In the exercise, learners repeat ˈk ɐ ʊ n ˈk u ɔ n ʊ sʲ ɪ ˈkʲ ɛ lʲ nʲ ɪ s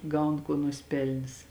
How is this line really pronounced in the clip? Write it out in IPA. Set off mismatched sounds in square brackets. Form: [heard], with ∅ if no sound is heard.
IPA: [ˈɡ] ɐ ʊ n ˈk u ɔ n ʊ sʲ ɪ [ˈpʲ] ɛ lʲ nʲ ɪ s